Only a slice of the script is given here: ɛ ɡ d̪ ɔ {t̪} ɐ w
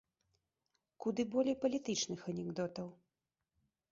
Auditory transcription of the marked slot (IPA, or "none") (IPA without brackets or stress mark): t̪